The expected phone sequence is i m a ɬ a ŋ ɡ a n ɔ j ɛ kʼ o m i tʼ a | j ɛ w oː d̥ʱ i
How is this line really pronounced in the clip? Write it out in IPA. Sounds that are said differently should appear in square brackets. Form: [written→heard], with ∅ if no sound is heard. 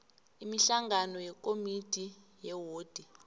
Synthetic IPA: i m [a→i] ɬ a ŋ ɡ a n ɔ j ɛ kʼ o m i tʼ [a→i] | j ɛ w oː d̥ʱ i